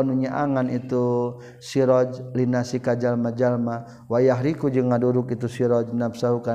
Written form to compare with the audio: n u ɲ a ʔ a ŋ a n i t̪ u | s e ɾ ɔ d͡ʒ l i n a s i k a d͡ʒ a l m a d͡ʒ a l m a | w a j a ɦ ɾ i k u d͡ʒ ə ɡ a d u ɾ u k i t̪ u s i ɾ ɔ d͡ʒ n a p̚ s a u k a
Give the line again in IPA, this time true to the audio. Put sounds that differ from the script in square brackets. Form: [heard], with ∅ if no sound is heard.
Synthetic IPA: n u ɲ a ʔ a ŋ a n i t̪ u | s [i] ɾ ɔ d͡ʒ l i n a s i k a d͡ʒ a l m a d͡ʒ a l m a | w a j a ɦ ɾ i k u d͡ʒ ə [ŋ] a d u ɾ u k i t̪ u s i ɾ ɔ d͡ʒ n a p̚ s a u k a